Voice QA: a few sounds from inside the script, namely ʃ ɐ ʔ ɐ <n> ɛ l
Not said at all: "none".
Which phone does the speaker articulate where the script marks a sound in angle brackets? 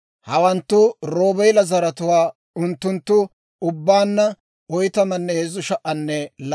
nː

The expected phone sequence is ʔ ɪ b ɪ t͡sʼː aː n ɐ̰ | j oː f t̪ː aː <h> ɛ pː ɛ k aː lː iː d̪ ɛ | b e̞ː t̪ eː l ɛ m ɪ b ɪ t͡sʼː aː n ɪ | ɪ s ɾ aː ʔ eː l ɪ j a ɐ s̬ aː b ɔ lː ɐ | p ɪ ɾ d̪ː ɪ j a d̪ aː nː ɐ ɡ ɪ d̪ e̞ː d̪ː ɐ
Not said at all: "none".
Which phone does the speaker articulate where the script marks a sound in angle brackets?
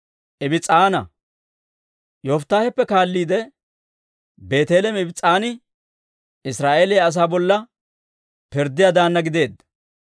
h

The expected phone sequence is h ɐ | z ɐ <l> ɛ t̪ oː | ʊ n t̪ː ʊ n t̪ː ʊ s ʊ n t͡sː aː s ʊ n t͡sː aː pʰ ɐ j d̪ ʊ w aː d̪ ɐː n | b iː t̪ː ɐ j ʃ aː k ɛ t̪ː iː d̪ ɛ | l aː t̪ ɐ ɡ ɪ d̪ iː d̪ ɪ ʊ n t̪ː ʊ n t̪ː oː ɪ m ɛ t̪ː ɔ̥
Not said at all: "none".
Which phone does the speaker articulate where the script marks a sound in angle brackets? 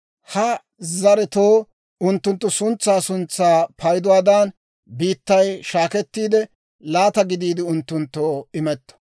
ɾ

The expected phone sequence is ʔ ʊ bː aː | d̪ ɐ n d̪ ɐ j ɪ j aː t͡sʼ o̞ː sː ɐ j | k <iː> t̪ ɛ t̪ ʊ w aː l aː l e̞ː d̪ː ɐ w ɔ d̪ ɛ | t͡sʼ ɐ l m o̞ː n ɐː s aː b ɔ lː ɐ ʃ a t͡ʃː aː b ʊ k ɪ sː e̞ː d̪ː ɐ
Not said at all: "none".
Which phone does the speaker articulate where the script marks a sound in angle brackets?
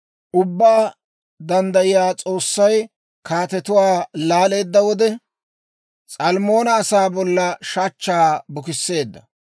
aː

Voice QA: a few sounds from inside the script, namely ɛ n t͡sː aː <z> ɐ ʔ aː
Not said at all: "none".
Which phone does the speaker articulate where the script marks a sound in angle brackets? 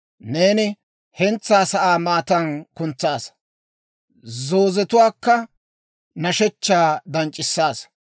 s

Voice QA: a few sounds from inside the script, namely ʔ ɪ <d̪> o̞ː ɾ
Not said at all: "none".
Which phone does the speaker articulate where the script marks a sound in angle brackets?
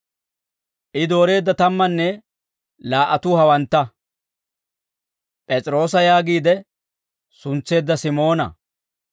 d̪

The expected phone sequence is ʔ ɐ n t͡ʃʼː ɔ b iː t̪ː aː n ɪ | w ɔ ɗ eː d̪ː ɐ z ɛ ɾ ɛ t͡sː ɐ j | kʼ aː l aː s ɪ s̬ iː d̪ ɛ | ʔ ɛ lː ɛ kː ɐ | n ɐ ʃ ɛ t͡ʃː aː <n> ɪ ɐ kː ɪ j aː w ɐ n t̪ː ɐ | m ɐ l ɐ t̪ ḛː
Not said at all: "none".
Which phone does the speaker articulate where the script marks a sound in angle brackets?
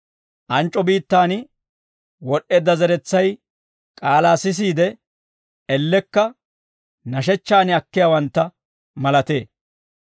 n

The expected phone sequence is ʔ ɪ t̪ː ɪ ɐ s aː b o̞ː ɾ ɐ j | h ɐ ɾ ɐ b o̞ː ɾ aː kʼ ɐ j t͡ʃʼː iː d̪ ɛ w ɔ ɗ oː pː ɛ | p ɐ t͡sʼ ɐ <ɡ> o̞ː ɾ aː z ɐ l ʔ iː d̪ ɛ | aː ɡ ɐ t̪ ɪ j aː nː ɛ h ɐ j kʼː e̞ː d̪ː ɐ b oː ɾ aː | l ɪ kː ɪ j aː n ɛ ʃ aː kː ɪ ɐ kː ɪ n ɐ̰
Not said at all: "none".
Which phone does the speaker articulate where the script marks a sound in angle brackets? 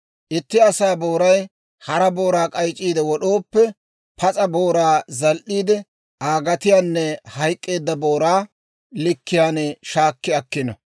b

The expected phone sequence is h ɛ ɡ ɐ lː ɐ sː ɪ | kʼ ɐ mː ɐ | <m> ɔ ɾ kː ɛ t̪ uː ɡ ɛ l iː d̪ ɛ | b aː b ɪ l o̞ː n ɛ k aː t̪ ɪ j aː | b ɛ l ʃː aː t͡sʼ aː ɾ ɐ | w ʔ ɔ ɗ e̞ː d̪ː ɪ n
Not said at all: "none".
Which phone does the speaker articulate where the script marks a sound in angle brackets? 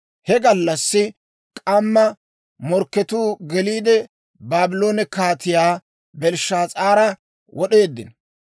m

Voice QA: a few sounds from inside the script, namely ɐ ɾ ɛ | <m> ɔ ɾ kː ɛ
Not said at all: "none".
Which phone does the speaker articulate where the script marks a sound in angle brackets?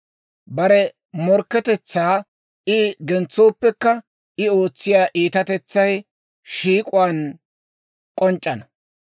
m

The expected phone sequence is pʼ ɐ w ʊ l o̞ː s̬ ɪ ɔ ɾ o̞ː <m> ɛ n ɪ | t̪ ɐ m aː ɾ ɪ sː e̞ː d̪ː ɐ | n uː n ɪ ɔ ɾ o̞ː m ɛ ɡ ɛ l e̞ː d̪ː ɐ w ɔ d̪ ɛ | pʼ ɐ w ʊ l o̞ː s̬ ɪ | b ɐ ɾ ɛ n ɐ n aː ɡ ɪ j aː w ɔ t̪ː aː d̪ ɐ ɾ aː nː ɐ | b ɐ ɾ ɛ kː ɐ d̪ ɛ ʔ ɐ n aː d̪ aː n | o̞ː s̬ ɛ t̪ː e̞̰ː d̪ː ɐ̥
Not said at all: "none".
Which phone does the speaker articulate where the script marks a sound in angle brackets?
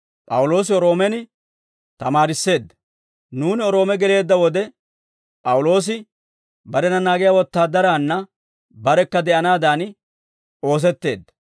m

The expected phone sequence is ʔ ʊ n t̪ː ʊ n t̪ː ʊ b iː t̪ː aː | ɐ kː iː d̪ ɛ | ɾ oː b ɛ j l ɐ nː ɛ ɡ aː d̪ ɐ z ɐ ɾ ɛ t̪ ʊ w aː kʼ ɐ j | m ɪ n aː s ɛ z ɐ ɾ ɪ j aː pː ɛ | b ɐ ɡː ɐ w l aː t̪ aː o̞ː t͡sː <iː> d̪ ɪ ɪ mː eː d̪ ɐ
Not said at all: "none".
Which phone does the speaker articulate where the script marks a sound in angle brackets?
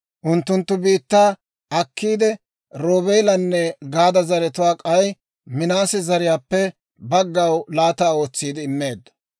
iː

